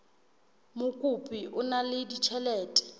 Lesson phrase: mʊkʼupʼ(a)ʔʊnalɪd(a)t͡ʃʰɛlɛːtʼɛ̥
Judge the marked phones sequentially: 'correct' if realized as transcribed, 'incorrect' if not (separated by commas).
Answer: incorrect, incorrect